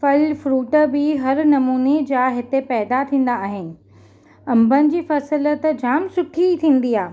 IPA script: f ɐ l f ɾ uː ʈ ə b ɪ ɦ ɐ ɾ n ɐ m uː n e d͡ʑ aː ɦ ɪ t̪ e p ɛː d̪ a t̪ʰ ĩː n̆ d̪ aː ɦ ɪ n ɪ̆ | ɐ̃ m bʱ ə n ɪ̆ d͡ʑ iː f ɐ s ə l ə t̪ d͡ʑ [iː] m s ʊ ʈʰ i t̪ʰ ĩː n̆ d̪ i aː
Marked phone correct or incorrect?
incorrect: aː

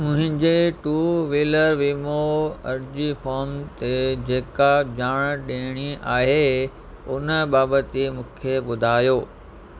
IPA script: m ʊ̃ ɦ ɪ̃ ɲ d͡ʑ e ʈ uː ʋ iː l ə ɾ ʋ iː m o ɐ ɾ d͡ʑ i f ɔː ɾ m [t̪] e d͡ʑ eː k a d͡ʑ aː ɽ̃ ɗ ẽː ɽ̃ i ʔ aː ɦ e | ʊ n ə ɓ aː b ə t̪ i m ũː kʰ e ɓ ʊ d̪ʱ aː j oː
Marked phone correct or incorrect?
correct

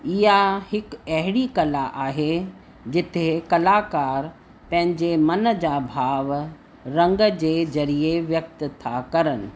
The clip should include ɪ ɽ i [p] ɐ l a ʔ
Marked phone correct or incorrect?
incorrect: k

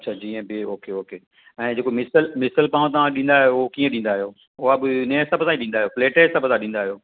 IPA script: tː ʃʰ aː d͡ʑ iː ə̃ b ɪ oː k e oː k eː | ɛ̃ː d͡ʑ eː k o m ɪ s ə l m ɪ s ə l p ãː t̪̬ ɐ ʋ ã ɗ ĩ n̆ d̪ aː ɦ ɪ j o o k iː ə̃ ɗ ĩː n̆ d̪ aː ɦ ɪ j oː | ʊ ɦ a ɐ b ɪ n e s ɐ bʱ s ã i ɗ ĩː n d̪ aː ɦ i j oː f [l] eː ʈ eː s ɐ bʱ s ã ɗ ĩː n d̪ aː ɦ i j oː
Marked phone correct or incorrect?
correct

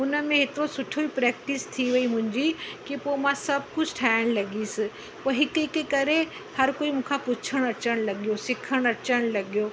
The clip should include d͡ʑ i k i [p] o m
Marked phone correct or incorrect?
correct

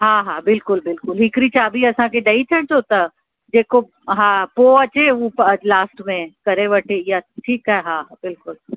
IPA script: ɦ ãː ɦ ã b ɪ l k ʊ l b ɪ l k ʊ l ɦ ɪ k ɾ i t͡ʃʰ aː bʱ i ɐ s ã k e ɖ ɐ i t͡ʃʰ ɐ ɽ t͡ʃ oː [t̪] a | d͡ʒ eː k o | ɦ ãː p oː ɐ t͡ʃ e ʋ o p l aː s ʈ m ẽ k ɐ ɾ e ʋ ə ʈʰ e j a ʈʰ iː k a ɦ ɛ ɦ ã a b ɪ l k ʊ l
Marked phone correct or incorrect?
correct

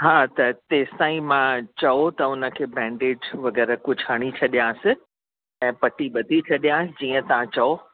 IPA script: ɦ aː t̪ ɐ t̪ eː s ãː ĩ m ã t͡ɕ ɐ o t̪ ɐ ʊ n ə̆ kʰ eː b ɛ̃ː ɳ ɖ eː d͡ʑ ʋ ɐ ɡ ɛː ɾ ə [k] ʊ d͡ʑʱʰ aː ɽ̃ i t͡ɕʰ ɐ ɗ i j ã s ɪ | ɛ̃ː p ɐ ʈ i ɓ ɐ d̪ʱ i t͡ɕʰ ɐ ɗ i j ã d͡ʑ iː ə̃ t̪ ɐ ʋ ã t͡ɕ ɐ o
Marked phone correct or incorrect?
correct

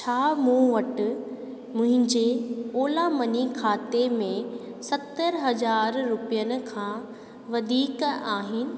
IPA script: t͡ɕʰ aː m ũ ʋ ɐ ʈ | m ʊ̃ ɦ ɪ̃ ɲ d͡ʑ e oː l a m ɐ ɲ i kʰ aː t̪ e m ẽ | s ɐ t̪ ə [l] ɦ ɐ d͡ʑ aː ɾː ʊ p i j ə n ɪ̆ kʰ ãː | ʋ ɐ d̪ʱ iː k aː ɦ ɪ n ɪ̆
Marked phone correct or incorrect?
incorrect: ɾ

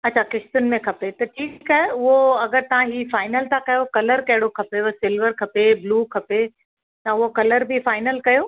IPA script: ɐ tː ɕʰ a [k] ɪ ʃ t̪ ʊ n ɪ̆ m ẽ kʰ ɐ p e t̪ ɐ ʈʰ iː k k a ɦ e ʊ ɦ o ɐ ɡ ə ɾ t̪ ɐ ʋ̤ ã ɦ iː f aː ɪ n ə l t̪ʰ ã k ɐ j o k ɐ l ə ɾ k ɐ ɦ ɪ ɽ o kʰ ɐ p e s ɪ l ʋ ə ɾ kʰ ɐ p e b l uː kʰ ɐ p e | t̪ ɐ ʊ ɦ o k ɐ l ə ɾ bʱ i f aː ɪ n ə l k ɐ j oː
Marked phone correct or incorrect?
correct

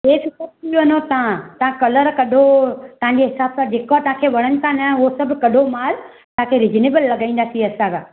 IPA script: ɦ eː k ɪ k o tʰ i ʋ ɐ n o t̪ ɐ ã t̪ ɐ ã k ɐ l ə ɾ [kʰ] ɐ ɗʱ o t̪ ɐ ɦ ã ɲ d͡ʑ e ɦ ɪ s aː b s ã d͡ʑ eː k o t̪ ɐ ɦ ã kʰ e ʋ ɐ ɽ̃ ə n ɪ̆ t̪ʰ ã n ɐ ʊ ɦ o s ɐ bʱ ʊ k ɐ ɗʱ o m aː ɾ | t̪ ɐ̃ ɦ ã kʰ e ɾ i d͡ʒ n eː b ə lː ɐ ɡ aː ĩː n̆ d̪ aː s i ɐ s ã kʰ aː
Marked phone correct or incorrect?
incorrect: k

